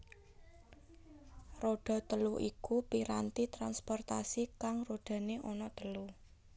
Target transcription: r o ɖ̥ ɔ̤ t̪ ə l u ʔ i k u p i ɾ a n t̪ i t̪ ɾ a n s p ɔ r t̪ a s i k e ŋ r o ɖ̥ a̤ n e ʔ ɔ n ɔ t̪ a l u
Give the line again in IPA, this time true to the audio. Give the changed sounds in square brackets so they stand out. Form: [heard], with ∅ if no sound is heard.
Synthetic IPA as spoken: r o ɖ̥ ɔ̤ t̪ ə l u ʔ i k u p i ɾ a n t̪ i t̪ ɾ a n s p ɔ r t̪ a s i k [a] ŋ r o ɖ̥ a̤ n e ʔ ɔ n ɔ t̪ [ə] l u